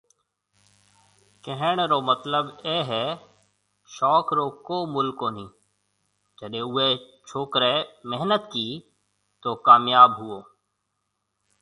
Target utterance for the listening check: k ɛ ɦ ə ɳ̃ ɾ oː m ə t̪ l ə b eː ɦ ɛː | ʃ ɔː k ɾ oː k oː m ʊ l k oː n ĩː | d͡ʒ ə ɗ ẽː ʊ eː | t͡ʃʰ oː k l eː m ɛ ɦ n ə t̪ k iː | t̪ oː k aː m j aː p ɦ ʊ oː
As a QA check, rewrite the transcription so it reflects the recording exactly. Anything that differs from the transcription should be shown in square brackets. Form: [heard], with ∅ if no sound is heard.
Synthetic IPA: k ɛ ɦ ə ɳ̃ ɾ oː m ə t̪ l ə b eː ɦ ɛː | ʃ ɔː k ɾ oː k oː m ʊ l k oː n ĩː | d͡ʒ ə ɗ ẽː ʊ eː | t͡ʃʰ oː k [ɾ] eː m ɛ ɦ n ə t̪ k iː | t̪ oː k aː m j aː [b] ɦ ʊ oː